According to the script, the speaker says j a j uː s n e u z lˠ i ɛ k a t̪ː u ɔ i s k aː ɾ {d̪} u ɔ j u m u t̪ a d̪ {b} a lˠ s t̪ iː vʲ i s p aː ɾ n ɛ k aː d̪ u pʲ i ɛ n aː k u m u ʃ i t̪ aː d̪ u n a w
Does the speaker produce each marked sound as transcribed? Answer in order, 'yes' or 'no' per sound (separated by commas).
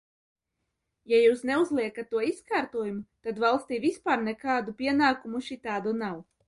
no, no